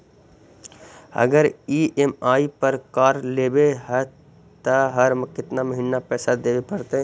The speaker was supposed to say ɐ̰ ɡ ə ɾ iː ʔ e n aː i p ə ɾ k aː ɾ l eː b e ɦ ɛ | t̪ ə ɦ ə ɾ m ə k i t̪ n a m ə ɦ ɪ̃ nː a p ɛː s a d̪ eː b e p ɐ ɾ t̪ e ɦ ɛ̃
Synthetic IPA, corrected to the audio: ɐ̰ ɡ ə ɾ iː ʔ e m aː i p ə ɾ k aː ɾ l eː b e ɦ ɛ | t̪ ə ɦ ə ɾ m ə k ɪ t̪ n a m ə ɦ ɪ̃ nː a p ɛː s a d̪ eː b e p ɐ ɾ t̪ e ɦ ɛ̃